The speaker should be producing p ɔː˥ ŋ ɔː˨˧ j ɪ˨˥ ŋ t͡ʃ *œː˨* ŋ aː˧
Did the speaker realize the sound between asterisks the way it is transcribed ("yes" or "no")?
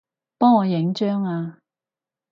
no